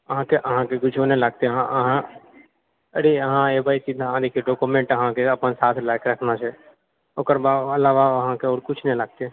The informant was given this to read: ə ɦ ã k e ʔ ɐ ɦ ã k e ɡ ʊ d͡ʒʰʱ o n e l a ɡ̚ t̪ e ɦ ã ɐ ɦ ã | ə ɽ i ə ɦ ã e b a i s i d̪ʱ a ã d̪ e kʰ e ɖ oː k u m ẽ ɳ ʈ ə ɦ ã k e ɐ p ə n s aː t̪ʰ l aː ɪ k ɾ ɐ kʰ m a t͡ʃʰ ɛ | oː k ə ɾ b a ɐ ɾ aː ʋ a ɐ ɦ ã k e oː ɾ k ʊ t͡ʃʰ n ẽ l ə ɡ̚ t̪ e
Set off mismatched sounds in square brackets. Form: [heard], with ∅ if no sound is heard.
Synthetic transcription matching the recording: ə ɦ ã k e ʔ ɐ ɦ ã k e ɡ ʊ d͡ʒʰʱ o n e l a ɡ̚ t̪ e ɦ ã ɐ ɦ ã | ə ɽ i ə ɦ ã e b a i s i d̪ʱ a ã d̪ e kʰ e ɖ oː k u m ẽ ɳ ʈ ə ɦ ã k e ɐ p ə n s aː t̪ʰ l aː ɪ k ɾ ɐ kʰ [n] a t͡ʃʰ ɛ | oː k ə ɾ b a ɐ [l] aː ʋ a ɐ ɦ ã k e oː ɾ k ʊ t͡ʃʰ n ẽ l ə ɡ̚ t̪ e